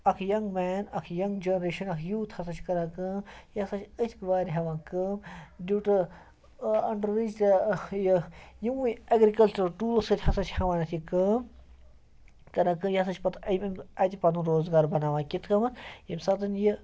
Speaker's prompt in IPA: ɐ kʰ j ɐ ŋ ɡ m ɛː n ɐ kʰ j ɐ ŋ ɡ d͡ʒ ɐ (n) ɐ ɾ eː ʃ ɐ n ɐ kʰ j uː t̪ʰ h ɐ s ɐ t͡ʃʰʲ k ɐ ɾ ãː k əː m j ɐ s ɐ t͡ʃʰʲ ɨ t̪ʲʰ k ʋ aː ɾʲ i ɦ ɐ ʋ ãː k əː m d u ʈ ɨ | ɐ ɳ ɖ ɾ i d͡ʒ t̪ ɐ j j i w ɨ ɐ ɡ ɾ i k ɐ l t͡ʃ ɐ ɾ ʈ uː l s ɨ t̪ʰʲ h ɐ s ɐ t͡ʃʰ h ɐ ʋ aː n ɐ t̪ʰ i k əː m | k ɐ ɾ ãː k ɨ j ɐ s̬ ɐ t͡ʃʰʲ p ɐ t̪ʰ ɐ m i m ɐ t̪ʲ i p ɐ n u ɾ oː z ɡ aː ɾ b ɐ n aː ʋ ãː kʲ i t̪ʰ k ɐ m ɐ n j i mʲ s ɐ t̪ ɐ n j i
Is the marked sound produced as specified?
yes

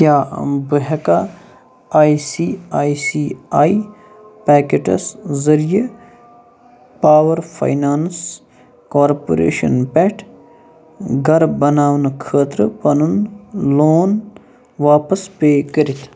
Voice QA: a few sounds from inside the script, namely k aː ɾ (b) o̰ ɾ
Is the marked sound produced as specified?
no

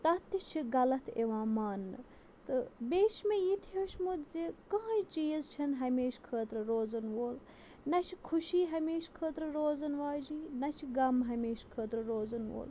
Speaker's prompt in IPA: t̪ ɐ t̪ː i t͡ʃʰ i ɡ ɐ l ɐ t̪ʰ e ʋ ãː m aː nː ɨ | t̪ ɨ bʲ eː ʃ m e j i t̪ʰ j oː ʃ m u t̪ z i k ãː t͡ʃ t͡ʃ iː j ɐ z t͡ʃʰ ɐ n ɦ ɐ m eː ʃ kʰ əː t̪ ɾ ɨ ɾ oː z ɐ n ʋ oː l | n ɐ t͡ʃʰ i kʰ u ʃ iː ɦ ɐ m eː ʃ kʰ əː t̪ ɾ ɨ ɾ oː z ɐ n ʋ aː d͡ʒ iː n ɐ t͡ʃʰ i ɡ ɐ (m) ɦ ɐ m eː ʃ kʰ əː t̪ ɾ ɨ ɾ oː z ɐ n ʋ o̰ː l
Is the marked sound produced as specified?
yes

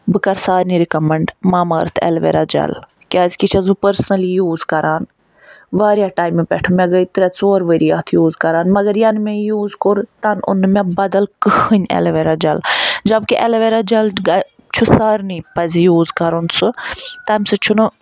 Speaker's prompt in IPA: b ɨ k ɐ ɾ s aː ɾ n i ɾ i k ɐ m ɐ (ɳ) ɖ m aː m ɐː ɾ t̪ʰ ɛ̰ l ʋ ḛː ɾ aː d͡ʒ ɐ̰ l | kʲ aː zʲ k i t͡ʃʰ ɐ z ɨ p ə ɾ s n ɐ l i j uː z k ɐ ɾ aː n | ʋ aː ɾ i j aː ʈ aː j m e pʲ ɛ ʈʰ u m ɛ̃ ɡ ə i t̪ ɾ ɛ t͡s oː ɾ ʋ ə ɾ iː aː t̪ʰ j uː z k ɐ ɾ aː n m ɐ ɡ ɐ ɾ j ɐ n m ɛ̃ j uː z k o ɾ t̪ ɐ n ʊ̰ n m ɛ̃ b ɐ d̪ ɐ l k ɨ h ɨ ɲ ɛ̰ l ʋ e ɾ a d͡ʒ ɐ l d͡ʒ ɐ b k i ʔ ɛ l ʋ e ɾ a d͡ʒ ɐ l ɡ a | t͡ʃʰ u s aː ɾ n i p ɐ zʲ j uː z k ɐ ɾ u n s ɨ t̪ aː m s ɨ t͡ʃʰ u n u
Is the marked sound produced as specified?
yes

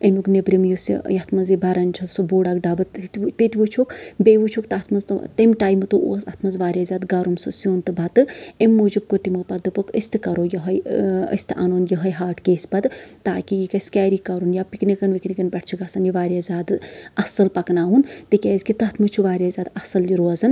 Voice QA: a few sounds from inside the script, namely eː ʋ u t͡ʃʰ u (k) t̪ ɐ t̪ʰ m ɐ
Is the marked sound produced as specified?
yes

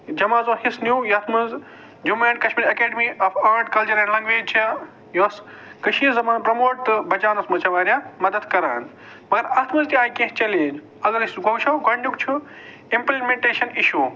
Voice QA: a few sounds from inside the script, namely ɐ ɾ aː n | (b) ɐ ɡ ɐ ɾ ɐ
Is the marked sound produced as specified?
no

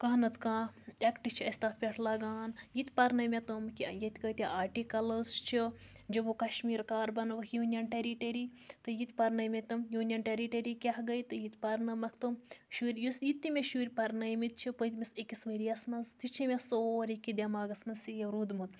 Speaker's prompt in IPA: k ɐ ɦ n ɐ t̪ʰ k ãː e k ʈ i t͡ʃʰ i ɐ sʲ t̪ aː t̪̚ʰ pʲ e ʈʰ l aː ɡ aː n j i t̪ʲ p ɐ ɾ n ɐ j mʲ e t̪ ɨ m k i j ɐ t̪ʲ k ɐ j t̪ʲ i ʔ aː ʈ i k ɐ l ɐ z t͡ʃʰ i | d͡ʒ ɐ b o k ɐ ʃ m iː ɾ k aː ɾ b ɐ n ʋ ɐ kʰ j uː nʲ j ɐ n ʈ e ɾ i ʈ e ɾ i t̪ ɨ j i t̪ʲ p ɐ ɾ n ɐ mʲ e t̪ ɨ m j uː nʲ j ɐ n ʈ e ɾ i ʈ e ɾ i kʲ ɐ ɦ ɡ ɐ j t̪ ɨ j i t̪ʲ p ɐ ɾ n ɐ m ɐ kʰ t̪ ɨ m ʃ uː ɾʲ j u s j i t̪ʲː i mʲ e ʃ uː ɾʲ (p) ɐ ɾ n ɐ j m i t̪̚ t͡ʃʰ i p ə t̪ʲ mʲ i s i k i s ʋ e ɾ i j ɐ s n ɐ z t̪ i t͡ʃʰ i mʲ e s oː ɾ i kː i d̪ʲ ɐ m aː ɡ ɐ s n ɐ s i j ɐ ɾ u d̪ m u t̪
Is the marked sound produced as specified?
yes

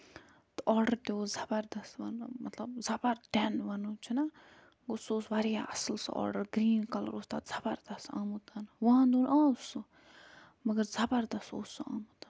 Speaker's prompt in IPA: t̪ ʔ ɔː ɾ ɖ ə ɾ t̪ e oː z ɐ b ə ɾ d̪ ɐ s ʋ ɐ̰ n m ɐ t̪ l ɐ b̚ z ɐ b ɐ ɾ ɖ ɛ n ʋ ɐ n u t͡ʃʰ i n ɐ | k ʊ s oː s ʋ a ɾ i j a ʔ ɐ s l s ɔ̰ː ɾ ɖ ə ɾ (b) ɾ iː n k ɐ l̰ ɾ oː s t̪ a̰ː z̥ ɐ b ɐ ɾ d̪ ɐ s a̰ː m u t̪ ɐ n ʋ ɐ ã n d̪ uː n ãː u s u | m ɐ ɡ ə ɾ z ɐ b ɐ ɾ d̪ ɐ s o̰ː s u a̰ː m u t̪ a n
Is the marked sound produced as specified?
no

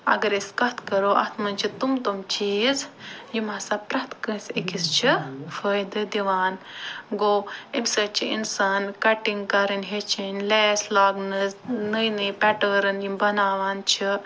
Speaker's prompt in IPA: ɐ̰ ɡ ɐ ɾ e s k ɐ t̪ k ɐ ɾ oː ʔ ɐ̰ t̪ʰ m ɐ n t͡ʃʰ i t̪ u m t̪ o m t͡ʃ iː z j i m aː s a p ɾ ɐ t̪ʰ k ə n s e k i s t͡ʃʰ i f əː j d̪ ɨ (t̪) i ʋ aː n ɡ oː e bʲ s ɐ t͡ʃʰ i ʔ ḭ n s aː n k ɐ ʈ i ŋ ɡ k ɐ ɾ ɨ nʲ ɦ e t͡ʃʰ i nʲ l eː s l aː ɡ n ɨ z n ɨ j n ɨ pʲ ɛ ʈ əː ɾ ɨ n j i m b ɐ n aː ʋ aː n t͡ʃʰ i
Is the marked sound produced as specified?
no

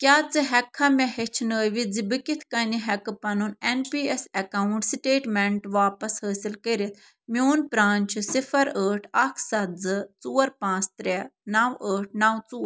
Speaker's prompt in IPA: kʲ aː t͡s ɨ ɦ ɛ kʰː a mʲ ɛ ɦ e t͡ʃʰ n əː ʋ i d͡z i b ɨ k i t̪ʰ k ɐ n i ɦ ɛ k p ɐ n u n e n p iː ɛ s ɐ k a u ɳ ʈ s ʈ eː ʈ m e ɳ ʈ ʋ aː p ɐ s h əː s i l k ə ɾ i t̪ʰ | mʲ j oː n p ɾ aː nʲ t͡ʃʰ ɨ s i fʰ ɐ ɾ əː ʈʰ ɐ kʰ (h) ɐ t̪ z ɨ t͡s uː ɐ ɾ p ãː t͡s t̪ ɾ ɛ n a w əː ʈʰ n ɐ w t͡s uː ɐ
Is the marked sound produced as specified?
no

